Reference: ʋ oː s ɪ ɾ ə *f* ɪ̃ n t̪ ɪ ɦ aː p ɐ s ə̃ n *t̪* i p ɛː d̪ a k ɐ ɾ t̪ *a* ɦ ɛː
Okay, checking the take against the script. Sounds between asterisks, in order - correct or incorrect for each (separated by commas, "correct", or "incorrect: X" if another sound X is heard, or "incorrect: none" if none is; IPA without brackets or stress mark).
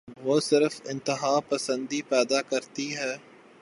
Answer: correct, incorrect: d̪, incorrect: i